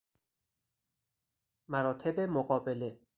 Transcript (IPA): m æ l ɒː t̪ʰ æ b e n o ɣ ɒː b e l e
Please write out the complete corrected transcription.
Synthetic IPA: m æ ɾ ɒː t̪ʰ e b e m o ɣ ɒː b e l e